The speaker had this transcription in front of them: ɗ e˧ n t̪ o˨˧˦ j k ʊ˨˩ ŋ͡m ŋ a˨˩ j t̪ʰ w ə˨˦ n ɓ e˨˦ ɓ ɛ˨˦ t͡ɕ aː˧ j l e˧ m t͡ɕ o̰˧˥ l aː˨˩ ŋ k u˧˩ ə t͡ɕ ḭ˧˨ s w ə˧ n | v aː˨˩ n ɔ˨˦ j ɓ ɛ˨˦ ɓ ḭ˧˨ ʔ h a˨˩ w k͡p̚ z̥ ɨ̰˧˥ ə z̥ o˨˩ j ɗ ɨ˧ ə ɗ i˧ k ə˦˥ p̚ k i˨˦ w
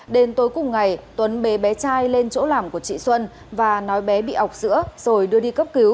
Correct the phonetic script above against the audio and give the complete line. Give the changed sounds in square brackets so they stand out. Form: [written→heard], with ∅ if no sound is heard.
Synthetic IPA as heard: ɗ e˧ n t̪ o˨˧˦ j k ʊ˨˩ ŋ͡m ŋ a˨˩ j [t̪ʰ→t̪] w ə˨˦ n ɓ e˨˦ ɓ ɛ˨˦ t͡ɕ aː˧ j l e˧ [m→n] t͡ɕ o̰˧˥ l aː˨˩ [ŋ→m] k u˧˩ ə t͡ɕ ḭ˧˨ s w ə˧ n | v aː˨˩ n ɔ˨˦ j ɓ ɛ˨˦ ɓ ḭ˧˨ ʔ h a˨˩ w k͡p̚ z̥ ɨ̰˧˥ ə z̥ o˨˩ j ɗ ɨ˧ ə ɗ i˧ k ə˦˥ p̚ k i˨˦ w

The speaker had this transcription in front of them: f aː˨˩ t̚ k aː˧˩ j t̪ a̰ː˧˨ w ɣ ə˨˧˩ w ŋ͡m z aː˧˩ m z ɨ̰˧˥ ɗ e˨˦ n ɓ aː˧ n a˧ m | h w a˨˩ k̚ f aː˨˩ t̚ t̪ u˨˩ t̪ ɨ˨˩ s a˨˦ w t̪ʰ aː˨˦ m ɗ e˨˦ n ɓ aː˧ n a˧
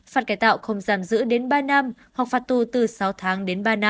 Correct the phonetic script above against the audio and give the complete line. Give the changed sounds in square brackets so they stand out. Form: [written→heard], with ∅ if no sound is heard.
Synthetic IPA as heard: f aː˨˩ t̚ k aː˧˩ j t̪ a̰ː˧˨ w [ɣ→x] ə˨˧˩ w ŋ͡m z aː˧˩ m z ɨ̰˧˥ ɗ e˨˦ n ɓ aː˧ n a˧ m | h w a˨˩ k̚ f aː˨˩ t̚ t̪ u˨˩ t̪ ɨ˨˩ s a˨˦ w t̪ʰ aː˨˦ [m→ŋ] ɗ e˨˦ n ɓ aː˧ n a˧

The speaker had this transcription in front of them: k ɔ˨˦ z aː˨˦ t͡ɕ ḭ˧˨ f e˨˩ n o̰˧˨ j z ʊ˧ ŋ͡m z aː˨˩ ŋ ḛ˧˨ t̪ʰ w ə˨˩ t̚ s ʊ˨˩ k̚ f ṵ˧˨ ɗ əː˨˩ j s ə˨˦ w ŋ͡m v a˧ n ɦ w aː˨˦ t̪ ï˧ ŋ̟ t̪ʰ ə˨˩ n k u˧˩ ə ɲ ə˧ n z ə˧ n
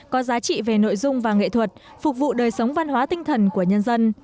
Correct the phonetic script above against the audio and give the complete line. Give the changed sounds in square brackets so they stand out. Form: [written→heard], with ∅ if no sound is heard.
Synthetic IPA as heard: k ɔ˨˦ z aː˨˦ t͡ɕ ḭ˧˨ [f→v] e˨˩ n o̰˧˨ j z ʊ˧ ŋ͡m [z→v] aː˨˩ ŋ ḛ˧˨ t̪ʰ w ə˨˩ t̚ [s→f] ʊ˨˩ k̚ [f→v] ṵ˧˨ ɗ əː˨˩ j s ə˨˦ w ŋ͡m v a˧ n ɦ w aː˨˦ t̪ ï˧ ŋ̟ t̪ʰ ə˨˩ n k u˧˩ ə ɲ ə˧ n z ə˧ n

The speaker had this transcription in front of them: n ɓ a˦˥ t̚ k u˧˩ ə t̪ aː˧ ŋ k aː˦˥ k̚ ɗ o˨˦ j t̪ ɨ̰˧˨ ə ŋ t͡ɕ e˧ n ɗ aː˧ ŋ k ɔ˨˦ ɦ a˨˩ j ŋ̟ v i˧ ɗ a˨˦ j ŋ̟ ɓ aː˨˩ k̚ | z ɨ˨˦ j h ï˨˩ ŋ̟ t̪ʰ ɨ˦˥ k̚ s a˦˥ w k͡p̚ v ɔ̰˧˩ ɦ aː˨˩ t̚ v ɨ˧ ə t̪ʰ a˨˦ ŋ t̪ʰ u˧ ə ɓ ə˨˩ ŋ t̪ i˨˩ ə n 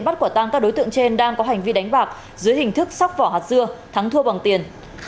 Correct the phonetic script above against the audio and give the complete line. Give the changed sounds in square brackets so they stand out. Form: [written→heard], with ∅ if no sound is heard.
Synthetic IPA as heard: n ɓ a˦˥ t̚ k u˧˩ ə t̪ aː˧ ŋ k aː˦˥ k̚ ɗ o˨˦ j t̪ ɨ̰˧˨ ə ŋ t͡ɕ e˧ n ɗ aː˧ ŋ k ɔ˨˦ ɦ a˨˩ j ŋ̟ v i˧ ɗ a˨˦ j ŋ̟ ɓ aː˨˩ k̚ | z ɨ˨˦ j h ï˨˩ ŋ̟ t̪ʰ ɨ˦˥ k̚ s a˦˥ w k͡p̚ v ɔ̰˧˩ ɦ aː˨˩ t̚ [v→z] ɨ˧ ə t̪ʰ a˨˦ ŋ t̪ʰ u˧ ə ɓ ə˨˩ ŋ t̪ i˨˩ ə n

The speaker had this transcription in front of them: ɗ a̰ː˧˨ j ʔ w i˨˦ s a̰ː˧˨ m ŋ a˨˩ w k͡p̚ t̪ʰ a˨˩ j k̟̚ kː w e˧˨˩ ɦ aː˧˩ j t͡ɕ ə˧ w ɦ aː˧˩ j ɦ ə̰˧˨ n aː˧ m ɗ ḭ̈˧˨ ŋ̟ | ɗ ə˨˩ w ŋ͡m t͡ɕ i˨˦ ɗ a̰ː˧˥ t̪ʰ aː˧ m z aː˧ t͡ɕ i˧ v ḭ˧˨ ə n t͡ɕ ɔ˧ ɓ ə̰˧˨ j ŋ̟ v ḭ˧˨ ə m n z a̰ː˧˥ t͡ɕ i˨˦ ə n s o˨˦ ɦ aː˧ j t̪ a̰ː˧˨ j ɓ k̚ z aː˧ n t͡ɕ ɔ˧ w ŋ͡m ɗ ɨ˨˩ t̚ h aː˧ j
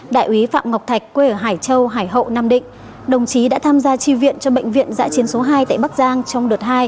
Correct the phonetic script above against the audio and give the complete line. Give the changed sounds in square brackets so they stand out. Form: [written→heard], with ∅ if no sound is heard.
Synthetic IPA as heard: ɗ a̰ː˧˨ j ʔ w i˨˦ [s→f] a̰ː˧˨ m ŋ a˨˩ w k͡p̚ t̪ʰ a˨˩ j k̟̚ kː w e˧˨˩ ɦ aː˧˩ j t͡ɕ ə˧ w ɦ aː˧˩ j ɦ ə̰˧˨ n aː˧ m ɗ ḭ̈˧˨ ŋ̟ | ɗ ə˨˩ w ŋ͡m t͡ɕ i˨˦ ɗ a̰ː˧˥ t̪ʰ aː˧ m z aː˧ t͡ɕ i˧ v ḭ˧˨ ə n t͡ɕ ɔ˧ ɓ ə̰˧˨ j ŋ̟ v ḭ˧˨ ə [m→∅] n z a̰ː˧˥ t͡ɕ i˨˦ ə n s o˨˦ ɦ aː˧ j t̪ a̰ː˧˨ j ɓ k̚ z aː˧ [n→ŋ] t͡ɕ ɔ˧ w ŋ͡m ɗ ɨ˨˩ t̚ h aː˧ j

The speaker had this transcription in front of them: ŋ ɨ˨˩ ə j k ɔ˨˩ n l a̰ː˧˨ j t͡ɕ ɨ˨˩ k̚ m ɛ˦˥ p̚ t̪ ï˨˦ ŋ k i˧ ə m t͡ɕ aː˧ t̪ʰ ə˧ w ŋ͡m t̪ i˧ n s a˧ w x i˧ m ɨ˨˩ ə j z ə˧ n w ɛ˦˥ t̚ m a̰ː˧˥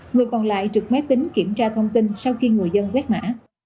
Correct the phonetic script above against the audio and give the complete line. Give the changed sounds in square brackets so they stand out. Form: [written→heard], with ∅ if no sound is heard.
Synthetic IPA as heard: ŋ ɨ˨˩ ə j k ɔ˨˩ n l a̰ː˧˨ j t͡ɕ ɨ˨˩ k̚ m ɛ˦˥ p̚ t̪ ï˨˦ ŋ k [i˧→i˧˩] ə m t͡ɕ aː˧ t̪ʰ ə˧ w ŋ͡m t̪ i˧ n s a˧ w x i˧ [m→ŋ] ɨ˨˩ ə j z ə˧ n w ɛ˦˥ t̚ m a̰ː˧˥

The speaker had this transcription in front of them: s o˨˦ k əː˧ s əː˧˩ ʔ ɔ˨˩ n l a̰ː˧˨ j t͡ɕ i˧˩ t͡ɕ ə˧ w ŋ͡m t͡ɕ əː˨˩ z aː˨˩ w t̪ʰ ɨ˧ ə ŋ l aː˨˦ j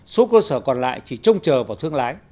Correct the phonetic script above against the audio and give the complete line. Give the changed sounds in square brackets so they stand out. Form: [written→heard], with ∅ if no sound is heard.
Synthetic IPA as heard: s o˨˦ k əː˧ s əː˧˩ [ʔ→k] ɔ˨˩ n l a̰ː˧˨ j t͡ɕ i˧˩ t͡ɕ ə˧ w ŋ͡m t͡ɕ əː˨˩ [z→v] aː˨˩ w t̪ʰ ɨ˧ ə ŋ l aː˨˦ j

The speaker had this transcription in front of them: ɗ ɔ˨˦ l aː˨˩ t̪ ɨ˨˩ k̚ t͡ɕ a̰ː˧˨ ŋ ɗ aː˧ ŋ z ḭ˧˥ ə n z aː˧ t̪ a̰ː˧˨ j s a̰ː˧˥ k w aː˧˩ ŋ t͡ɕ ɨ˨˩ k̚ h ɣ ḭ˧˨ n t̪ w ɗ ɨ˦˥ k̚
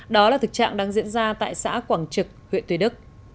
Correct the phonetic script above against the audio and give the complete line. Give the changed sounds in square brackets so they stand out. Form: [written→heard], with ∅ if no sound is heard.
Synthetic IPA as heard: ɗ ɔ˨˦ l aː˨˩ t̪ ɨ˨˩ k̚ t͡ɕ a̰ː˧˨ ŋ ɗ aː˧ ŋ z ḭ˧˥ ə n z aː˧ t̪ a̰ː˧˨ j s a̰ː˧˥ k w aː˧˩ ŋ t͡ɕ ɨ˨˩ k̚ h [ɣ→w] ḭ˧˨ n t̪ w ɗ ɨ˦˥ k̚

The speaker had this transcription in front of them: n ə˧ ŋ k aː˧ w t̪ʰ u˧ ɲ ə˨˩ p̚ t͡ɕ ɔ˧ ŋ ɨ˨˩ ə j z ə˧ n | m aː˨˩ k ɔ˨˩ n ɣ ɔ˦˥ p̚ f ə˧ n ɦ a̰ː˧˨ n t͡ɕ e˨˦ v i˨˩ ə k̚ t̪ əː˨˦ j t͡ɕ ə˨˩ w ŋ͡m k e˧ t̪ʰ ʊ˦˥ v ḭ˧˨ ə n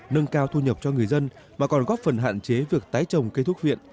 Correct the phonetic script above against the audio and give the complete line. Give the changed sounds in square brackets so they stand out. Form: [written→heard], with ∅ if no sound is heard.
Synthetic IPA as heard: n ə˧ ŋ k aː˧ w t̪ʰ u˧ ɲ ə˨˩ p̚ t͡ɕ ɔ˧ ŋ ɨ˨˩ ə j z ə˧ n | m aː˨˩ k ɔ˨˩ n ɣ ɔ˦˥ p̚ f [ə˧→ə˨˩] n ɦ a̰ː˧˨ n t͡ɕ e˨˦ v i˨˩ ə k̚ t̪ [əː˨˦→aː˨˦] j t͡ɕ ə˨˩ w ŋ͡m k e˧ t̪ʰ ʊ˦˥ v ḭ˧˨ ə n

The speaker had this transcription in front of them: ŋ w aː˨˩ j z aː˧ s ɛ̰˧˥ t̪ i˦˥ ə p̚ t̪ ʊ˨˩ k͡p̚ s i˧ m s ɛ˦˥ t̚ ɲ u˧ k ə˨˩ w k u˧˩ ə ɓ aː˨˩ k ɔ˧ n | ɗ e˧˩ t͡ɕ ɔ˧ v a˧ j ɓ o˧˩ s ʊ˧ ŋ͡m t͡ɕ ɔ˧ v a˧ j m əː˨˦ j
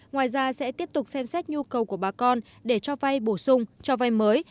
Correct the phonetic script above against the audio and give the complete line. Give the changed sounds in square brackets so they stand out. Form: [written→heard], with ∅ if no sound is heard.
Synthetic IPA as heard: ŋ w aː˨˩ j z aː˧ s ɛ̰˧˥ t̪ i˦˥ ə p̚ t̪ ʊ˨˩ k͡p̚ s [i˧→ɛ˧] m s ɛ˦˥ t̚ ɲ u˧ k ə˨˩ w k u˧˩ ə ɓ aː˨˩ k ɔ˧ n | ɗ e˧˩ t͡ɕ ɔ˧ v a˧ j ɓ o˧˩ s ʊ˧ ŋ͡m t͡ɕ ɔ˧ v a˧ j m əː˨˦ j

